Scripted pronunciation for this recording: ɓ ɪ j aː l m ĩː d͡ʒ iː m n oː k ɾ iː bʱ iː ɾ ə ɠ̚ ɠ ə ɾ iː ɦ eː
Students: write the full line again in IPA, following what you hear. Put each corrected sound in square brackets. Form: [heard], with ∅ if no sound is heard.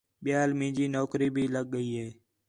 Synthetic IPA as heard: ɓ ɪ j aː l m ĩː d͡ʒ iː [∅] n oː k ɾ iː bʱ iː [l] ə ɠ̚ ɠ ə [∅] iː ɦ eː

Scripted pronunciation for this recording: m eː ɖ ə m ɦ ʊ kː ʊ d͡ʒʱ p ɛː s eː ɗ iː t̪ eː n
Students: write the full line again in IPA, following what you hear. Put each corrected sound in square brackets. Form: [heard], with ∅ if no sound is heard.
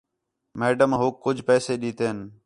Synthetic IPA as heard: m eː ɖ ə m ɦ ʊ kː ʊ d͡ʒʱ p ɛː s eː ɗ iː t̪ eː n

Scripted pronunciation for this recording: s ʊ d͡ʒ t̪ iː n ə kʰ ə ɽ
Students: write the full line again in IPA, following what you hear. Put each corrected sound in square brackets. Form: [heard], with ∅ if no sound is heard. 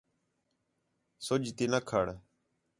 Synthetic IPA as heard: s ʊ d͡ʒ t̪ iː n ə kʰ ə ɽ

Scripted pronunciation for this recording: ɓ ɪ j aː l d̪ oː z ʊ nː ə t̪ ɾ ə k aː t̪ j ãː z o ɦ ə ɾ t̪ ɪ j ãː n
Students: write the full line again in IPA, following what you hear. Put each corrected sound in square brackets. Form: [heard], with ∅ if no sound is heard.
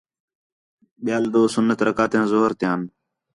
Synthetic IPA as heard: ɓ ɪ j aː l d̪ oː [s] ʊ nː ə t̪ ɾ ə k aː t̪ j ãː z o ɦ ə ɾ t̪ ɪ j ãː n

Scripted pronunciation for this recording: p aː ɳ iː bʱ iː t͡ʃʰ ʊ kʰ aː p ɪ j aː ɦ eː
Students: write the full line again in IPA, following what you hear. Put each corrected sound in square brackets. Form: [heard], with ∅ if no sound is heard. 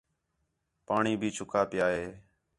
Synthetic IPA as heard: p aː ɳ iː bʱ iː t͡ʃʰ ʊ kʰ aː p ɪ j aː ɦ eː

